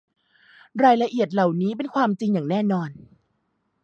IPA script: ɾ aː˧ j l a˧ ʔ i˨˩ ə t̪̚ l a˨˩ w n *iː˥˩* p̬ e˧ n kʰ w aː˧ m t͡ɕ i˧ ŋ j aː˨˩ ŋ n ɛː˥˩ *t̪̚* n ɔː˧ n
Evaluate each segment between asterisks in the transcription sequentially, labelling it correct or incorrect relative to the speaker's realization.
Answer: incorrect: iː˦˥, incorrect: none

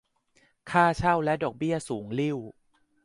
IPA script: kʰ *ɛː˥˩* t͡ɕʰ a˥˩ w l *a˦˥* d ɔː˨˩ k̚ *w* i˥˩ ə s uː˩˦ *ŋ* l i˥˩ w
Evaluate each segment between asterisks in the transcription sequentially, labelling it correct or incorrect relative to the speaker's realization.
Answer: incorrect: aː˥˩, incorrect: ɛ˦˥, incorrect: b, correct

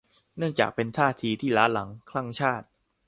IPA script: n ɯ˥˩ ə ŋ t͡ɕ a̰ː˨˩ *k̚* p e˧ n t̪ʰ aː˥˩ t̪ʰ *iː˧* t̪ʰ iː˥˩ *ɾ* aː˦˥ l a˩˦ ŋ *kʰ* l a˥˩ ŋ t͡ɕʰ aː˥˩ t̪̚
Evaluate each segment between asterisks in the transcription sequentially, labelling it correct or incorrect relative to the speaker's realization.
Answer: correct, correct, incorrect: l, correct

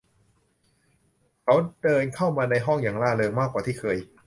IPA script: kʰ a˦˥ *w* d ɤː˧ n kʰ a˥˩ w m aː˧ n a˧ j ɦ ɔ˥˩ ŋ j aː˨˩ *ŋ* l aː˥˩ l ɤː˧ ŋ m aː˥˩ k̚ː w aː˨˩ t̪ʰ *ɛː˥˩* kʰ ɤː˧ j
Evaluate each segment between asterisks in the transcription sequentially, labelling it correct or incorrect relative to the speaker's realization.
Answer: correct, correct, incorrect: iː˥˩

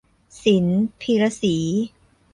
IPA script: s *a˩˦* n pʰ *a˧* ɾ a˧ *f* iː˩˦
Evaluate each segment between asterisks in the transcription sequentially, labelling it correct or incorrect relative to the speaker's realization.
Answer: incorrect: i˩˦, incorrect: i˧, incorrect: s

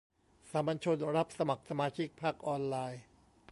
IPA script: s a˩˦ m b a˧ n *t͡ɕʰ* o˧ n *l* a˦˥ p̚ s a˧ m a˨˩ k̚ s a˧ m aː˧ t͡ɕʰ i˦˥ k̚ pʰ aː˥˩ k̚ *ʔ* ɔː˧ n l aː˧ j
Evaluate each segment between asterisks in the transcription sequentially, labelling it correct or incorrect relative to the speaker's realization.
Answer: correct, incorrect: ɾ, correct

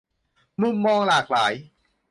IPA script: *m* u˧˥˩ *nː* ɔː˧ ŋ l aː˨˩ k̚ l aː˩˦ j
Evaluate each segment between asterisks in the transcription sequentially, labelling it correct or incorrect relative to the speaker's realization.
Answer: correct, incorrect: mː

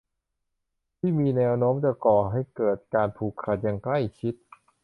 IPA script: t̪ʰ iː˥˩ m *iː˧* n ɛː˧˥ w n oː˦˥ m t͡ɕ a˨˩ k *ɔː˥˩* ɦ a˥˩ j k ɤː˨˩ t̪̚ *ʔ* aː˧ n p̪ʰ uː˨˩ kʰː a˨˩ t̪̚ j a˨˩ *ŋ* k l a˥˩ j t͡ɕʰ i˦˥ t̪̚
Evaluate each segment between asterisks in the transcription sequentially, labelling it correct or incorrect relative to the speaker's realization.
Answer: correct, incorrect: ɔː˨˩, incorrect: k, correct

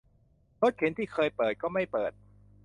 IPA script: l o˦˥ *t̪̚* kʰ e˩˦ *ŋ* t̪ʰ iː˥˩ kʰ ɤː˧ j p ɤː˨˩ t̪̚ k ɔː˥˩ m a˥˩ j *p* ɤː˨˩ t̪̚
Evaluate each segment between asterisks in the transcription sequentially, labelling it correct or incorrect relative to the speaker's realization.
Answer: correct, incorrect: n, correct

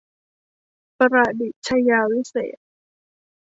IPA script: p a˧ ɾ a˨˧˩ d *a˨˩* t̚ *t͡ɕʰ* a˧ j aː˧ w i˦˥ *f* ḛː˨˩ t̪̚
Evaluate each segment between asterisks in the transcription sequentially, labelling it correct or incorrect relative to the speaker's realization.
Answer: incorrect: i˨˩, correct, incorrect: s

